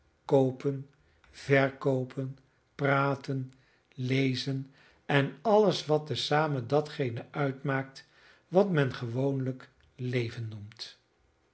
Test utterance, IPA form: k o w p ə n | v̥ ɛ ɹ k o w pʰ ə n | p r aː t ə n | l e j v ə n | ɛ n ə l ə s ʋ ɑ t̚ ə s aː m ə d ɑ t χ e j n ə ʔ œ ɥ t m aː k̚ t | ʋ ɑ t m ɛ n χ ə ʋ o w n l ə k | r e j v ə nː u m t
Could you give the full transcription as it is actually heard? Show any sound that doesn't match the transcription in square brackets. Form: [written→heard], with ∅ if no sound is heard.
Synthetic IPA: k o w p ə n | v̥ ɛ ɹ k o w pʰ ə n | p r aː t ə n | l e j [v→z] ə n | ɛ n [ə→ɑ] l ə s ʋ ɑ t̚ ə s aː m ə d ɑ t χ e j n ə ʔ œ ɥ t m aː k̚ t | ʋ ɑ t m ɛ n χ ə ʋ o w n l ə k | [r→l] e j v ə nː u m t